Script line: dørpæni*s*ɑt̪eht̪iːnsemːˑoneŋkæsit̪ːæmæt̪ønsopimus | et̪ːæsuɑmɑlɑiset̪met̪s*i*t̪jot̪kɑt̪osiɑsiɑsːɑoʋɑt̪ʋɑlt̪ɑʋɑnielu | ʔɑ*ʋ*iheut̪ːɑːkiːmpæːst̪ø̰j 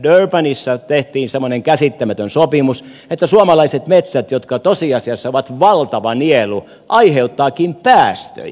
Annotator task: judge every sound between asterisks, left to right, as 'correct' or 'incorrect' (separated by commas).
incorrect, incorrect, incorrect